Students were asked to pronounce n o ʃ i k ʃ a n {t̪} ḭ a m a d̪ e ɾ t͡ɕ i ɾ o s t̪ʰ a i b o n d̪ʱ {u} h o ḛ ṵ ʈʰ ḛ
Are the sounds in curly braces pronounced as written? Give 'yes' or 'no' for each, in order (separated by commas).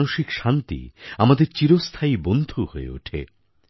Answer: yes, yes